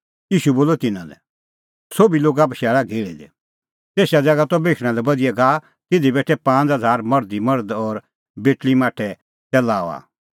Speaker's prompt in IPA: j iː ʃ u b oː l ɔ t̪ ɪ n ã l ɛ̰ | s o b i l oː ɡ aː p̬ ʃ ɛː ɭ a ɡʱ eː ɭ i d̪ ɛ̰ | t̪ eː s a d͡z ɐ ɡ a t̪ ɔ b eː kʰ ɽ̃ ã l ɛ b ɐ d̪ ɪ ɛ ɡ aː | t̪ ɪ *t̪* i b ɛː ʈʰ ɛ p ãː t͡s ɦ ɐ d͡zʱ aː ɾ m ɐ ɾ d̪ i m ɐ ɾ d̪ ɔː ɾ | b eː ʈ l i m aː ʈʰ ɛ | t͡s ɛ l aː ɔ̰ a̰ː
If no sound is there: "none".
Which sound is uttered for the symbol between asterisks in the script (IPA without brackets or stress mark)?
d̪